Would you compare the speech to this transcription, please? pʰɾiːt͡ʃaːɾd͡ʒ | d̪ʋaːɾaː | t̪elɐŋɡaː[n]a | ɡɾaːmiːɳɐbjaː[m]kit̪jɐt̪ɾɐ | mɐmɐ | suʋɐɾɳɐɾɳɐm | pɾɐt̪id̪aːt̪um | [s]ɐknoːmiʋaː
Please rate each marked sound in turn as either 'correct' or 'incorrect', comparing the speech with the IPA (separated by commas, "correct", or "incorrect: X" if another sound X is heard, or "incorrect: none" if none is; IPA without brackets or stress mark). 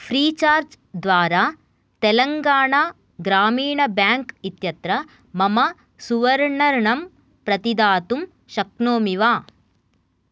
incorrect: ɳ, incorrect: ŋ, incorrect: ʃ